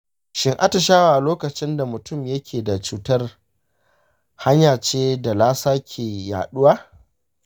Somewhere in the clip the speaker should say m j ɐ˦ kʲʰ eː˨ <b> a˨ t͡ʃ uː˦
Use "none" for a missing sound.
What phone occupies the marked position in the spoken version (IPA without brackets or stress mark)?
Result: d